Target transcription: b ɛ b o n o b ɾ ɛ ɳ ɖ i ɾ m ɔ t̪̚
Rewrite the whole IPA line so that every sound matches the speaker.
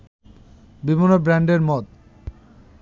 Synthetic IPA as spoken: b i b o n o b ɾ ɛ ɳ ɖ e ɾ m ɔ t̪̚